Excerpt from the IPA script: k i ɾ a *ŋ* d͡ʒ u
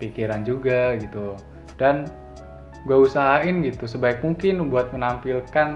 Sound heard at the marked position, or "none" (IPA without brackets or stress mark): n